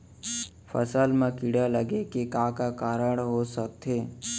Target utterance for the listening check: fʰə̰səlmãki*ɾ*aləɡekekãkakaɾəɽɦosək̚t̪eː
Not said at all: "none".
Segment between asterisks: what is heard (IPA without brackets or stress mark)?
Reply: ɽ